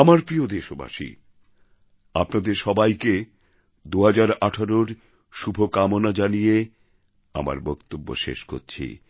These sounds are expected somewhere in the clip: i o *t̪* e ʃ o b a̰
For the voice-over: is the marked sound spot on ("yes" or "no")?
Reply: no